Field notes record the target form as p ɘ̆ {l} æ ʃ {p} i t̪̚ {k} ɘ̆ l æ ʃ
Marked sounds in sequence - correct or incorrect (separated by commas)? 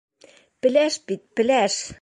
correct, correct, incorrect